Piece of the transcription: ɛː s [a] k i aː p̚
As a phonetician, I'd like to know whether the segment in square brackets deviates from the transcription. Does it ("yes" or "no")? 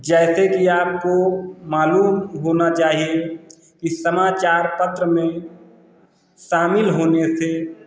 yes